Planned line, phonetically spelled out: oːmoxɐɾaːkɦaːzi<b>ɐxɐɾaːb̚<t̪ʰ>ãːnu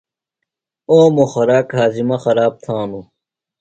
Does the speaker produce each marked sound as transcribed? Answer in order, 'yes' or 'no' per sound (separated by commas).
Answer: no, yes